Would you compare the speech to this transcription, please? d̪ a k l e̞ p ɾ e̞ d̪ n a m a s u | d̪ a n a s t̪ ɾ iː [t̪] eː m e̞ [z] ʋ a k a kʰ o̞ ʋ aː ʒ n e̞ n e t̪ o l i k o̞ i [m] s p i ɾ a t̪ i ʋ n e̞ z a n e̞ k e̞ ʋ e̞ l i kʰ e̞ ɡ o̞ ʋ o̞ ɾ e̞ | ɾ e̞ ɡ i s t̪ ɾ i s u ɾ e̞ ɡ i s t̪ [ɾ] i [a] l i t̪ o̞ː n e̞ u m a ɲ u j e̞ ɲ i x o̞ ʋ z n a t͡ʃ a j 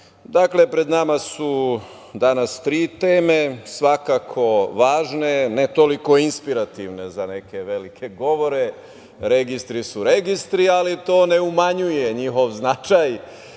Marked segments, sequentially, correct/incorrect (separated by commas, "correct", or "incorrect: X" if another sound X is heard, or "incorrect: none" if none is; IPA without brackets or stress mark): correct, incorrect: s, incorrect: n, correct, correct